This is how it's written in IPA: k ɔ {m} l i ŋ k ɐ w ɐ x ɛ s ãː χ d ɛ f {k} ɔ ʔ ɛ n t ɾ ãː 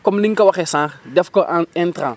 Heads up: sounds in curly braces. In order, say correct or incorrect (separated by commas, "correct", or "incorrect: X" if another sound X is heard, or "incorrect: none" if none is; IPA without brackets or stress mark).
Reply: correct, correct